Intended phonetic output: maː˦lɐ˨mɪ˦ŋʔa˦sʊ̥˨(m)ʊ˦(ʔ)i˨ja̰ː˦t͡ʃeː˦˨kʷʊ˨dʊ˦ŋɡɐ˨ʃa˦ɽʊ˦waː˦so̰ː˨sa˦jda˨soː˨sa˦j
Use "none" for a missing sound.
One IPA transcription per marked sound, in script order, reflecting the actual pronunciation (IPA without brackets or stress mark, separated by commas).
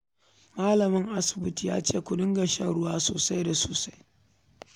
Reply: b, t